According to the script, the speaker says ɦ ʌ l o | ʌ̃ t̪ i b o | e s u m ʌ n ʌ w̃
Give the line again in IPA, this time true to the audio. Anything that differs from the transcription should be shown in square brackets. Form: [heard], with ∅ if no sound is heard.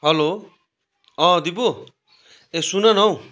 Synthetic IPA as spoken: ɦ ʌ l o | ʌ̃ [d̪] i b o | e s u [n] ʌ n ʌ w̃